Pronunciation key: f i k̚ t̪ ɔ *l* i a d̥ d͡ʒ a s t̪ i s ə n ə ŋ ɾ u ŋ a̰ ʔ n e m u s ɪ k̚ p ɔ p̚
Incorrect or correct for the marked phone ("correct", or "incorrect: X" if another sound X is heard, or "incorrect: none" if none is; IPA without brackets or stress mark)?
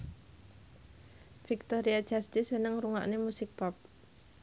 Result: incorrect: ɾ